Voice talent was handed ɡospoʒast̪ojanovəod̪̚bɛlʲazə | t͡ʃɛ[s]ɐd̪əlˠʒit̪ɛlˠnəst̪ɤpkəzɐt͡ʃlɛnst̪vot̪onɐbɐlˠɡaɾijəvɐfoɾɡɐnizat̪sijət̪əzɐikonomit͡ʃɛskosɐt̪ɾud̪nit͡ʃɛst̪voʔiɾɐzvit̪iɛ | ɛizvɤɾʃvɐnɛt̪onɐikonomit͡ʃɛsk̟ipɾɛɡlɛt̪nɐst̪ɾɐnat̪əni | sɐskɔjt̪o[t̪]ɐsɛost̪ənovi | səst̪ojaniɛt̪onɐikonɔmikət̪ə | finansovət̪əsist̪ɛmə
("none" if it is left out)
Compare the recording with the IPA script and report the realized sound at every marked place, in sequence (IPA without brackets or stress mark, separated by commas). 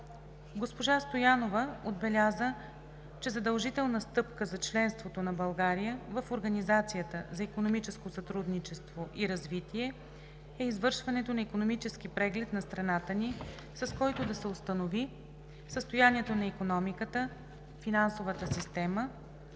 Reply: z, d̪